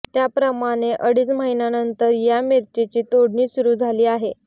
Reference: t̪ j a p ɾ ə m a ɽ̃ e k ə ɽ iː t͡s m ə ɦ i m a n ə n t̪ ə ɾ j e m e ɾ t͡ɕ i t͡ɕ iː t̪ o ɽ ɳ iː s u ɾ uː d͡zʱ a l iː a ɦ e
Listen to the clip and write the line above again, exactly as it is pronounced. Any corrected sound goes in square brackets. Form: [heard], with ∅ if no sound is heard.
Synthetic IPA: t̪ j a p ɾ ə m a ɽ̃ e [ʔ] ə ɽ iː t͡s m ə ɦ i [n] a n ə n t̪ ə ɾ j [a] m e ɾ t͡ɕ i t͡ɕ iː t̪ o ɽ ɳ iː s u ɾ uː d͡zʱ a l iː a ɦ e

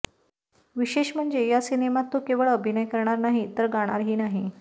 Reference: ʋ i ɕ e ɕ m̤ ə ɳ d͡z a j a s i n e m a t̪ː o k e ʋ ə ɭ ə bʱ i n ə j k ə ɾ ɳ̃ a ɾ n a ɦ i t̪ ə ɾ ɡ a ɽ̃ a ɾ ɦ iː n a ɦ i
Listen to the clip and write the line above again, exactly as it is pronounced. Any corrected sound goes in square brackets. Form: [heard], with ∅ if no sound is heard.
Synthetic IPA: ʋ i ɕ e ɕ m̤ ə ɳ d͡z [e] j a s i n e m a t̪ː o k e ʋ ə ɭ ə bʱ i n ə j k ə ɾ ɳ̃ a ɾ n a ɦ i t̪ ə ɾ ɡ a ɽ̃ a ɾ ɦ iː n a ɦ i

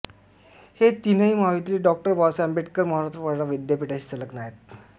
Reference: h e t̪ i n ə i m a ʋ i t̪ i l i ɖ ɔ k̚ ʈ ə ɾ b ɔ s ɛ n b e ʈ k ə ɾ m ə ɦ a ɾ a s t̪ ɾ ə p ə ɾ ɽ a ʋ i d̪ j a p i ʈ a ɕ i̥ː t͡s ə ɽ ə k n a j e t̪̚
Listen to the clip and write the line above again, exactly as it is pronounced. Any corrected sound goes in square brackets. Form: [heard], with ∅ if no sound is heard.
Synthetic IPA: h e t̪ i n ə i m a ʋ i t̪ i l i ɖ ɔ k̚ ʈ ə ɾ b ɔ s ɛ [m] b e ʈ k ə ɾ m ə ɦ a ɾ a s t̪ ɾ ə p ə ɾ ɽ a ʋ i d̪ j a p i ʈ a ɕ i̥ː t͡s ə [l] ə k n a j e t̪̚

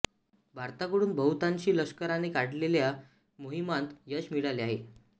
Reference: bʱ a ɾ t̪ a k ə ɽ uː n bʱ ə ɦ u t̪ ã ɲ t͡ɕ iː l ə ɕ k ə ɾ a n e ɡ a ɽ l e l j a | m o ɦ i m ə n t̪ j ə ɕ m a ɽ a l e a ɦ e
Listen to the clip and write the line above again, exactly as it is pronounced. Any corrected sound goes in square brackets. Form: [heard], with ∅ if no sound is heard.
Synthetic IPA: bʱ a ɾ t̪ a k ə ɽ uː n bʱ ə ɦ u t̪ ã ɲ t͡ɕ iː l ə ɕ k ə ɾ a n e [k] a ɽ l e l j a | m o ɦ i m [a] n t̪ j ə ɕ m [i] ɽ a l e a ɦ e

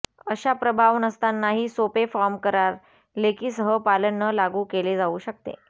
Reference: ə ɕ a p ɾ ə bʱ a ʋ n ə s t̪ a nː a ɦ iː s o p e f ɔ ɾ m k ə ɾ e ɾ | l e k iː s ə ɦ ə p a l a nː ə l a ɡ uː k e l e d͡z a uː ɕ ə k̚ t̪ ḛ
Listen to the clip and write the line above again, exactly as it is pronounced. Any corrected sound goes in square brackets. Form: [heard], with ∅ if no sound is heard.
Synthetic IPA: ə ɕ a p ɾ ə bʱ a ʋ n ə s t̪ a nː a ɦ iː s o p e f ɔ ɾ m k ə ɾ [a] ɾ | l e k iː s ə ɦ ə p a l [ə] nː ə l a ɡ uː k e l e d͡z a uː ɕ ə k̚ t̪ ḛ

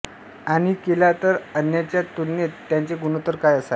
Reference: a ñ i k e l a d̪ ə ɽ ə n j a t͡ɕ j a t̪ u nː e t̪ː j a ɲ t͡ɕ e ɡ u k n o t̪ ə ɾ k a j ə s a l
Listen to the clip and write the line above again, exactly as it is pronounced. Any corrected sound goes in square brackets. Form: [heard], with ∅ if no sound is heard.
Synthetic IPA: a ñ i k e l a [t̪] ə [ɾ] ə n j a t͡ɕ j a t̪ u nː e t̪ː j a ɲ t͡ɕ e ɡ u [∅] n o t̪ ə ɾ k a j ə s a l

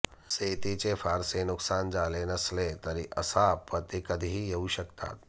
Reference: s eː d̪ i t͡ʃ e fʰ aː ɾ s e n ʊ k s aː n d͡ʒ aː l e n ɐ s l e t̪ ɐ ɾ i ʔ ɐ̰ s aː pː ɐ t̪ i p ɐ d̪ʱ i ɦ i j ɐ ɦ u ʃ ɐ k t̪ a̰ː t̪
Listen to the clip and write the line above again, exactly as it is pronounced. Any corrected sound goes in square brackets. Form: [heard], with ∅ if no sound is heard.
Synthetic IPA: s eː [t̪] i t͡ʃ e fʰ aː ɾ s e n ʊ k s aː n d͡ʒ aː l e n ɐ s l e t̪ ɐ ɾ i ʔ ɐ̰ s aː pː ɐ t̪ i [k] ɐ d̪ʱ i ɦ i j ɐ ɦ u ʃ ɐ k t̪ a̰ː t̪

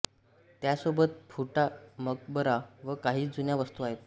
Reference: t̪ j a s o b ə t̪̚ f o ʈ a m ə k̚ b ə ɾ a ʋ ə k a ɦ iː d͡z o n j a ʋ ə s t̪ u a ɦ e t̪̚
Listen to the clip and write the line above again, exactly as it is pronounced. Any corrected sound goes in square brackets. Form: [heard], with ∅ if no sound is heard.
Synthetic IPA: t̪ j a s o b ə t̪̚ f [u] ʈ a m ə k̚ b ə ɾ a ʋ ə k a ɦ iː d͡z [u] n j a ʋ ə s t̪ u a ɦ e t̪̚

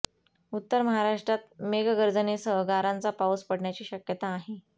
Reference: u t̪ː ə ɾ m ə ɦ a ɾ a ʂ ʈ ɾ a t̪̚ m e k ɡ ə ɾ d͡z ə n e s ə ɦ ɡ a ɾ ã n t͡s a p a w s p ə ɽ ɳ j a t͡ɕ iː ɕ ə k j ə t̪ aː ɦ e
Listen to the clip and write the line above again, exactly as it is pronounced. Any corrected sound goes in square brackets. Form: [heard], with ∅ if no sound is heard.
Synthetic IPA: u t̪ː ə ɾ m ə ɦ a ɾ a ʂ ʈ ɾ a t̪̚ m e [ɡ] ɡ ə ɾ d͡z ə n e s ə ɦ ɡ a ɾ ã n t͡s a p a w s p ə ɽ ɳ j a t͡ɕ iː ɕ ə k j ə t̪ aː ɦ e

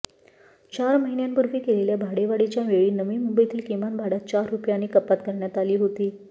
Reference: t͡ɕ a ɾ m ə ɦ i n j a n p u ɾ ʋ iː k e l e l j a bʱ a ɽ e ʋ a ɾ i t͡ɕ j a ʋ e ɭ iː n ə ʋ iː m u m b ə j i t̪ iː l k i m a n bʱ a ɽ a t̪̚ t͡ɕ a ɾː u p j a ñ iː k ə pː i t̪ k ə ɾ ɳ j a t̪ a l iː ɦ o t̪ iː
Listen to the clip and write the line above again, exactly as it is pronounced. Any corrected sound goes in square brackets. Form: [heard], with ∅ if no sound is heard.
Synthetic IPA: t͡ɕ a ɾ m ə ɦ i n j a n p u ɾ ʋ iː k e l e l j a bʱ a ɽ e ʋ a [ɽ] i t͡ɕ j a ʋ e ɭ iː n ə ʋ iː m u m b ə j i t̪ iː l k i m a n bʱ a ɽ a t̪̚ t͡ɕ a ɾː u p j a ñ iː k ə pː [a] t̪ k ə ɾ ɳ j a t̪ a l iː ɦ o t̪ iː

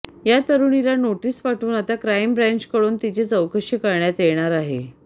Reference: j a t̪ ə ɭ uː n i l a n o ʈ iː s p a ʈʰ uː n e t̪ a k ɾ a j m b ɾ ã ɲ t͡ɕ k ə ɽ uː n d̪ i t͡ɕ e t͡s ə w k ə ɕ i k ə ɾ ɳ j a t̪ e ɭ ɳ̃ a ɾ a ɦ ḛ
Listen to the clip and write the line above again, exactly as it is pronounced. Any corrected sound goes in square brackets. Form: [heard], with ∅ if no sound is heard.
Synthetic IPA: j a t̪ ə [ɾ] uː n i l a n o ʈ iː s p a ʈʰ uː n [a] t̪ a k ɾ a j m b ɾ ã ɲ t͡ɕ k ə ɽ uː n [t̪] i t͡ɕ e t͡s ə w k ə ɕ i k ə ɾ ɳ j a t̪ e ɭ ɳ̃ a ɾ a ɦ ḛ

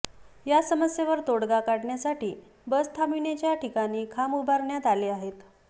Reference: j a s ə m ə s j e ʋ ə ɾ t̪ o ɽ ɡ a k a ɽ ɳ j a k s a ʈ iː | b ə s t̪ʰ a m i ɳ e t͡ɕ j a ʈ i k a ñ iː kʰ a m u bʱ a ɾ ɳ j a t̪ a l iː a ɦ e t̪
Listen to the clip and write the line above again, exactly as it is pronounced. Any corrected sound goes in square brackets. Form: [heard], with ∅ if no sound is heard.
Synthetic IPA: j a s ə m ə s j e ʋ ə ɾ t̪ o ɽ ɡ a k a ɽ ɳ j a [∅] s a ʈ iː | b ə s t̪ʰ a m i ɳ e t͡ɕ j a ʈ i k a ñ iː kʰ a m u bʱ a ɾ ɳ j a t̪ a l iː a ɦ e t̪

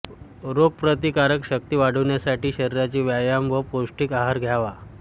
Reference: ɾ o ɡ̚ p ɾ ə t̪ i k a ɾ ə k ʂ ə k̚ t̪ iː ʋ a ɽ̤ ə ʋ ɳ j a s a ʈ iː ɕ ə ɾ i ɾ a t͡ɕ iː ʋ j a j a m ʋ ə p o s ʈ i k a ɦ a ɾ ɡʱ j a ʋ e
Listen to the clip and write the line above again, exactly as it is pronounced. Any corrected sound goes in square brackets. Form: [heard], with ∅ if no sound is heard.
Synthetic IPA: ɾ o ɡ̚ p ɾ ə t̪ i k a ɾ ə k [ɕ] ə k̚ t̪ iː ʋ a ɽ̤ ə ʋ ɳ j a s a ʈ iː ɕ ə ɾ i ɾ a t͡ɕ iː ʋ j a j a m ʋ ə p o s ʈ i k a ɦ a ɾ ɡʱ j a ʋ [a]

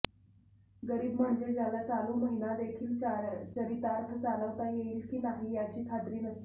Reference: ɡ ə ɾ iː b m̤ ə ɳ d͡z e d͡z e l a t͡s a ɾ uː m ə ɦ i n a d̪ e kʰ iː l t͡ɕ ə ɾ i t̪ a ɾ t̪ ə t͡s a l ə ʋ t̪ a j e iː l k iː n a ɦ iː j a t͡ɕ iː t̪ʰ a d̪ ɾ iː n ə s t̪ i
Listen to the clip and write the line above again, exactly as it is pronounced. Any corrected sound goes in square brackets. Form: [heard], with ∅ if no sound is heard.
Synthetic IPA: ɡ ə ɾ iː b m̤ ə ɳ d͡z e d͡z [a] l a t͡s a [l] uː m ə ɦ i n a d̪ e kʰ iː l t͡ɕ ə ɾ i t̪ a ɾ [t̪ʰ] ə t͡s a l ə ʋ t̪ a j e iː l k iː n a ɦ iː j a t͡ɕ iː t̪ʰ a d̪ ɾ iː n ə s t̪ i

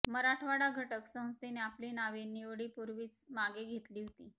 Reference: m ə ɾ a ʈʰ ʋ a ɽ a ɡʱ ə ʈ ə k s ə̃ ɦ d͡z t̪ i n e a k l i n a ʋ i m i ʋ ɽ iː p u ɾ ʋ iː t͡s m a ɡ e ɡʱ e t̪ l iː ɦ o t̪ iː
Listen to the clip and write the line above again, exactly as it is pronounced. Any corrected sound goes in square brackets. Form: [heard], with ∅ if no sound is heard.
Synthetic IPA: m ə ɾ a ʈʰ ʋ a ɽ a ɡʱ ə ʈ ə k s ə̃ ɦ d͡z t̪ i n e a [p] l i n a ʋ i [n] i ʋ ɽ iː p u ɾ ʋ iː t͡s m a ɡ e ɡʱ e t̪ l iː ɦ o t̪ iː

